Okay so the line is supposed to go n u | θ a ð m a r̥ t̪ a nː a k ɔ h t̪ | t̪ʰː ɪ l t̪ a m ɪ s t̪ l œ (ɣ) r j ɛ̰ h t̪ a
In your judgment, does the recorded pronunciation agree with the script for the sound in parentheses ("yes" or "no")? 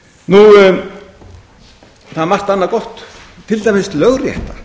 yes